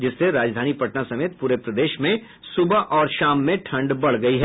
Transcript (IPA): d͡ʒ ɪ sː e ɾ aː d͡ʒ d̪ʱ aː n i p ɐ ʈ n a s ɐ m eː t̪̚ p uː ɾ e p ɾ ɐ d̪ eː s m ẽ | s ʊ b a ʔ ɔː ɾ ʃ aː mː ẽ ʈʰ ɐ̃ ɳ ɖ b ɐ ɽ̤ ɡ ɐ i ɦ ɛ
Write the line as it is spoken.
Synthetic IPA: d͡ʒ ɪ sː e ɾ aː d͡ʒ d̪ʱ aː n i p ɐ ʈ n a s ɐ m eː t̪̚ p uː ɾ e p ɾ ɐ d̪ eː ʃ m ẽ | s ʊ b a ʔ ɔː ɾ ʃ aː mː ẽ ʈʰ ɐ̃ ɳ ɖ b ɐ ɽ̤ ɡ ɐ i ɦ ɛ

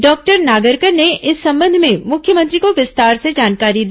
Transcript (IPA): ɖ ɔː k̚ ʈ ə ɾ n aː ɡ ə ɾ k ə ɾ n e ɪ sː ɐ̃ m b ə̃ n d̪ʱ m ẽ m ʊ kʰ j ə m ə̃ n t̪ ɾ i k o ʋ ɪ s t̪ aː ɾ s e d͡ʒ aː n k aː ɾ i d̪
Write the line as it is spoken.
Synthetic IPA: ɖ ɔː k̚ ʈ ə ɾ n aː ɡ ə ɾ k ə ɾ n e ɪ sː ɐ̃ m b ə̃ n d̪ʱ m ẽ m ʊ kʰ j ə m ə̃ n t̪ ɾ i k o ʋ ɪ s t̪ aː ɾ s e d͡ʒ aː n k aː ɾ i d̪

